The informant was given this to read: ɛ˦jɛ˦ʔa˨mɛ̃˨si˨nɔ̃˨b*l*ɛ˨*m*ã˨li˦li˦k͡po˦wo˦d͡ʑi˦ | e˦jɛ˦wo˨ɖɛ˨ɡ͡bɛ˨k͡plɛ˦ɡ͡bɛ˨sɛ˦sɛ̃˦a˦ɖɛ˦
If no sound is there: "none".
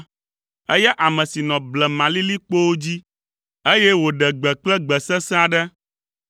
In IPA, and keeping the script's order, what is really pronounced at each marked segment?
l, m

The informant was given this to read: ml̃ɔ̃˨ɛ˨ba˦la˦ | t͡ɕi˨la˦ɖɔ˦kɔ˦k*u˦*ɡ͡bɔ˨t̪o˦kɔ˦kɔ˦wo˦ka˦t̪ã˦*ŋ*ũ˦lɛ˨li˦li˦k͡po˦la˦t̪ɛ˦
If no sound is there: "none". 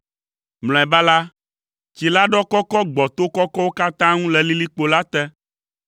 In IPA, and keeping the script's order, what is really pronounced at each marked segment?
ɔ˦, ŋ

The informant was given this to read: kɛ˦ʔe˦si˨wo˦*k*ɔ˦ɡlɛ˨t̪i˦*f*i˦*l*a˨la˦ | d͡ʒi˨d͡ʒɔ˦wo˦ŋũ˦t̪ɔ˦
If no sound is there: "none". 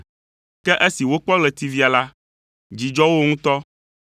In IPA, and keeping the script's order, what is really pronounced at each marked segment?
k͡p, v, none

